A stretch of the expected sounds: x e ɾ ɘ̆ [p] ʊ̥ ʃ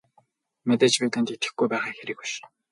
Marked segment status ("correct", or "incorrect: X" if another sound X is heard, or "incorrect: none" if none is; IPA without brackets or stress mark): incorrect: k